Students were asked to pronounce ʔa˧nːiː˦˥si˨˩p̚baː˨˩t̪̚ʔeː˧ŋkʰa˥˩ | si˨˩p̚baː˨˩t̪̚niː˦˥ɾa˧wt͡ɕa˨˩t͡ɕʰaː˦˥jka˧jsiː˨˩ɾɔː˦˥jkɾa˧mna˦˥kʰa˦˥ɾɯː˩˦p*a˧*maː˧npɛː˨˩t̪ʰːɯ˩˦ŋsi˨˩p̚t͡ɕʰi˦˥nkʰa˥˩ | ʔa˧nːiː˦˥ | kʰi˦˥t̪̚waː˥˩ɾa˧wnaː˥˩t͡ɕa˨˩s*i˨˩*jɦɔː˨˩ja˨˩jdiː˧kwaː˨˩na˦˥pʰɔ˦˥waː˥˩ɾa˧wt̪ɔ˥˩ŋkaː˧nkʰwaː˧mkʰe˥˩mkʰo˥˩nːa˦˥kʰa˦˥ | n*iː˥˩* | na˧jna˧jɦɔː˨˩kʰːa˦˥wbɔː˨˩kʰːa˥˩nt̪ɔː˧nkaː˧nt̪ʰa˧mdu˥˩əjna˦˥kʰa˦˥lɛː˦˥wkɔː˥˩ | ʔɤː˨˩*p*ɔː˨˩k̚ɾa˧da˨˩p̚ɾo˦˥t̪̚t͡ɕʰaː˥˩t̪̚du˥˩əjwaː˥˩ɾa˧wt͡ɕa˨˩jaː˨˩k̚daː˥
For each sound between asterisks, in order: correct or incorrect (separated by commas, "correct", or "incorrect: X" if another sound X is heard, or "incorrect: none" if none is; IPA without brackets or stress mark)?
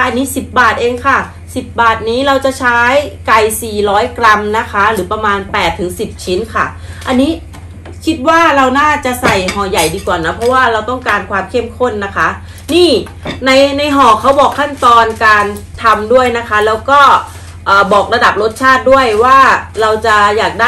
correct, incorrect: a˨˩, correct, incorrect: b